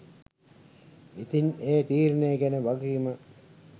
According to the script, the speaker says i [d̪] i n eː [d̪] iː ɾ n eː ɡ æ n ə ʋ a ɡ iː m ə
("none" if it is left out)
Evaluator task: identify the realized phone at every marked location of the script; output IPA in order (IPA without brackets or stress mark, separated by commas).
t̪, t̪